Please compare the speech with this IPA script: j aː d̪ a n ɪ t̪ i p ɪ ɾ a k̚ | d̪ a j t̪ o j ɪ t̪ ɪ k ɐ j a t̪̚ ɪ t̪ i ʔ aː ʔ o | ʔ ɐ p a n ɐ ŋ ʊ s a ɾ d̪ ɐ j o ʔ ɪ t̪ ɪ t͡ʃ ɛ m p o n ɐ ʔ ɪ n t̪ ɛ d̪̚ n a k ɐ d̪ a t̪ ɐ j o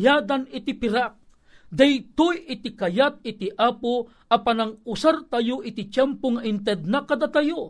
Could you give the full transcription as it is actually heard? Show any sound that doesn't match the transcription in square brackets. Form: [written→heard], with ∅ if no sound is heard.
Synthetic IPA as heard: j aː d̪ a n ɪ t̪ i p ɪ ɾ a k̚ | d̪ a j t̪ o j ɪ t̪ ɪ k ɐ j a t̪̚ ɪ t̪ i ʔ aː [ʔ→p] o | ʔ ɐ p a n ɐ ŋ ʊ s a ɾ [d̪→t̪] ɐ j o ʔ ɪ t̪ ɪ t͡ʃ ɛ m p o [n→ŋ] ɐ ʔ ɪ n t̪ ɛ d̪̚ n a k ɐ d̪ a t̪ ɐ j o